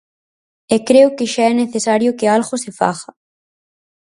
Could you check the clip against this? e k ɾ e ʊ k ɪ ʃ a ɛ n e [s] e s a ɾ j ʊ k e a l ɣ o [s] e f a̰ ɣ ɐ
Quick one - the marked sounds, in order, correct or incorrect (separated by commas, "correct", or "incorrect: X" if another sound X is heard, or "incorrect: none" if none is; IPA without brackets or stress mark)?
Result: incorrect: θ, correct